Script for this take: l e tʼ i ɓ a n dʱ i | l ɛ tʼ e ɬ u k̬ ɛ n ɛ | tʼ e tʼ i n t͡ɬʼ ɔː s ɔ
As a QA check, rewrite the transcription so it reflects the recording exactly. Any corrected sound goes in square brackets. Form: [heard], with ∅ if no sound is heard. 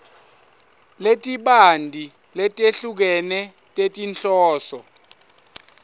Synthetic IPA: l e tʼ i ɓ a n dʱ i | l ɛ tʼ e ɬ u k̬ ɛ n ɛ | tʼ e tʼ i n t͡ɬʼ ɔː s ɔ